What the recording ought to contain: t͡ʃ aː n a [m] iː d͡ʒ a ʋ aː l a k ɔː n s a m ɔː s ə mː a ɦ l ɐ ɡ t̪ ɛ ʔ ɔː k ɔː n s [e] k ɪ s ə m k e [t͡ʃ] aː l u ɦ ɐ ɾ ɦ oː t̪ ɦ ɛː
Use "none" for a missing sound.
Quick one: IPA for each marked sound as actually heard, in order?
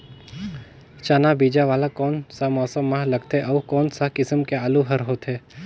b, a, none

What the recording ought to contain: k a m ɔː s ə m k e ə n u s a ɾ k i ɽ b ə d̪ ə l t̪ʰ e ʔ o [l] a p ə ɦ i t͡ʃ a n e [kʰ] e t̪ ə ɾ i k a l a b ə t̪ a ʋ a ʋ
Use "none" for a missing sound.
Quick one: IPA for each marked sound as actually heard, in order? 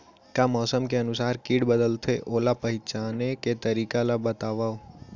l, k

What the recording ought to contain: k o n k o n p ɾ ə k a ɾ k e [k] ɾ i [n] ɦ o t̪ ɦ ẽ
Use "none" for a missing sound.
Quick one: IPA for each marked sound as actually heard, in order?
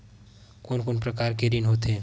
none, n

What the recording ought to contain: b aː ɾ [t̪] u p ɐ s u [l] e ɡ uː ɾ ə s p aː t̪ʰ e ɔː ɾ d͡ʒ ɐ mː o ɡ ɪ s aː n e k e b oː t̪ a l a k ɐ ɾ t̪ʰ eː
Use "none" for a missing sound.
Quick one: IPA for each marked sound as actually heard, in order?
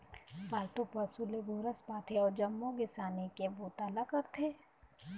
t̪, l

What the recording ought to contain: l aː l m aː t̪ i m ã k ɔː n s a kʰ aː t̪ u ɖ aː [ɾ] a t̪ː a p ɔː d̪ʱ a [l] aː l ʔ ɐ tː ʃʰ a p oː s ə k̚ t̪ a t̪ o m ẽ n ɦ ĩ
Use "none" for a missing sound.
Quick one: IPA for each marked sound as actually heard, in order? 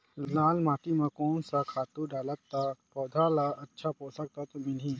l, l

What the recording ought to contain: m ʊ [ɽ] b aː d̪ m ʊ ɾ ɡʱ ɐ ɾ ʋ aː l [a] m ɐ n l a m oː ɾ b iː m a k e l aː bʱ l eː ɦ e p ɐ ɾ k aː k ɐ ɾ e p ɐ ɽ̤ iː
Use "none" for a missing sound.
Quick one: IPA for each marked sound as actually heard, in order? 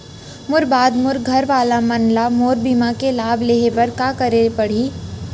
ɾ, a

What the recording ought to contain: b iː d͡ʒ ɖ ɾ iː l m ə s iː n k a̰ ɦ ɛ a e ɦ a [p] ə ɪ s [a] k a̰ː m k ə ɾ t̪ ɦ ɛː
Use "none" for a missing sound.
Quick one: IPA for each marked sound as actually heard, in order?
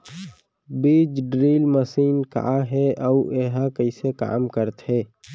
k, e

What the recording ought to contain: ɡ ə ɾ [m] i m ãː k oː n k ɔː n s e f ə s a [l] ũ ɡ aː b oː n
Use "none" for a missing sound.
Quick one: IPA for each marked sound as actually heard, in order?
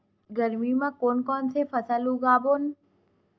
m, l

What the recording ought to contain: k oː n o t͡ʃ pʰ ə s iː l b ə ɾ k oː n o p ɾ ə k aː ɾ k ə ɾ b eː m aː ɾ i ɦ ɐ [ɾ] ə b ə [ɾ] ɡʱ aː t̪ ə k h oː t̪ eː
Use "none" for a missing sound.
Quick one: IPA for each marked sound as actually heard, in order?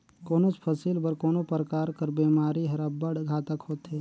ɾ, ɽ

